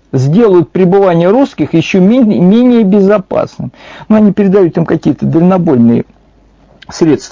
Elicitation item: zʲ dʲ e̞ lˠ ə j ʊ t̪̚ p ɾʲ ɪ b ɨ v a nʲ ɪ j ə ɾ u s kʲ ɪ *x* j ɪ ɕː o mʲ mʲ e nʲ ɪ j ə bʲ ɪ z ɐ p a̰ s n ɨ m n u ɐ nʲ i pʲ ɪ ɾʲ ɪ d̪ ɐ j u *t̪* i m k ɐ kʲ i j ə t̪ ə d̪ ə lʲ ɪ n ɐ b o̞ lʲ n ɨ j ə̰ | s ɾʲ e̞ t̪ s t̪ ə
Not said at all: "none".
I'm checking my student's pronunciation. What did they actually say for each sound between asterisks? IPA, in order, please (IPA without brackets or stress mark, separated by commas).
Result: x, t̪